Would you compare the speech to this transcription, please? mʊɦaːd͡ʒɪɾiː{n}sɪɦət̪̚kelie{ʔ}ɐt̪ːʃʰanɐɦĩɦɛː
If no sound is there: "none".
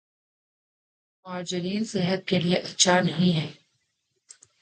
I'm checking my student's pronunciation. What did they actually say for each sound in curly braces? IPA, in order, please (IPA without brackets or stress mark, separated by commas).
n, ʔ